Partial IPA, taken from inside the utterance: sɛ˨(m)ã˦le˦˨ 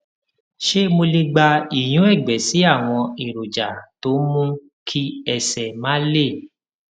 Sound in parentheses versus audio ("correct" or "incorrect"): correct